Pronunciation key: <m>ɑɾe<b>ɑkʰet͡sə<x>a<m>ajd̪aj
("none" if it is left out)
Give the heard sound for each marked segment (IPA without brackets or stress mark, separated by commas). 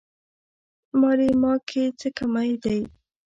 m, m, k, m